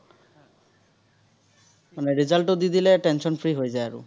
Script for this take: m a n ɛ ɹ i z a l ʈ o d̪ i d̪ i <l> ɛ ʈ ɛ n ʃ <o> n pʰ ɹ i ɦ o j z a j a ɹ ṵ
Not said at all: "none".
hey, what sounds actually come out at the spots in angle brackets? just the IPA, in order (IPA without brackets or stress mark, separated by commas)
l, ɔ